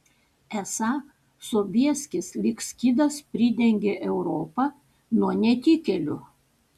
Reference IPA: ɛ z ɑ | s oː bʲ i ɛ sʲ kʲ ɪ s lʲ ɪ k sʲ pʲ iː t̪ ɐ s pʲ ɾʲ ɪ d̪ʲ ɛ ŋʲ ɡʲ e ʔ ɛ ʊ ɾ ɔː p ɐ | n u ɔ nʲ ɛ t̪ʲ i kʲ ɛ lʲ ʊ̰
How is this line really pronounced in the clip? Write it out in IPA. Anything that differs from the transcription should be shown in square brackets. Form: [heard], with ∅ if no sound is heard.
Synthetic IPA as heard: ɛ [s] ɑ | s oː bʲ i ɛ sʲ kʲ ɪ s lʲ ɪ k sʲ [kʲ] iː [d̪] ɐ s pʲ ɾʲ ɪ d̪ʲ ɛ ŋʲ ɡʲ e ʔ ɛ ʊ ɾ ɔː p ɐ | n u ɔ nʲ ɛ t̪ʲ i kʲ ɛ lʲ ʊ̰